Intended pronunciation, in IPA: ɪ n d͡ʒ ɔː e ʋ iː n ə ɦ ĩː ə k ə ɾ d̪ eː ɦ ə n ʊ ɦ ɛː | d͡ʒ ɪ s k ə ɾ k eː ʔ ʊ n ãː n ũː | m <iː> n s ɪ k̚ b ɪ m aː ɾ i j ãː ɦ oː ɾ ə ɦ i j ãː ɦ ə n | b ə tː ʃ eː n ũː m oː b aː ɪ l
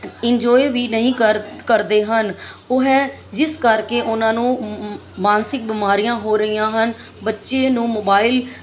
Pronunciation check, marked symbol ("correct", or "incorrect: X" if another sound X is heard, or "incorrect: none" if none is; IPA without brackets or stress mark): incorrect: aː